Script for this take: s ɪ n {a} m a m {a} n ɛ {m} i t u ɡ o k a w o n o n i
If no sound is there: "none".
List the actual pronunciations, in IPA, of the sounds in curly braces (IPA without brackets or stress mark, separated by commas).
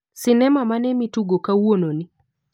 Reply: ɛ, a, m